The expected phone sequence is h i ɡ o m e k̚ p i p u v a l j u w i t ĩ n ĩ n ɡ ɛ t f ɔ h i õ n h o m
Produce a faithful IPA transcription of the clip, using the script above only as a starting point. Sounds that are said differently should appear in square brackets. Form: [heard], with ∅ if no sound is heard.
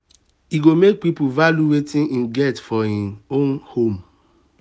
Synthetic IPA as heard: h i ɡ o m e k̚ p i p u v a l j u w [e] t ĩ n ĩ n ɡ ɛ t f ɔ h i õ n h o m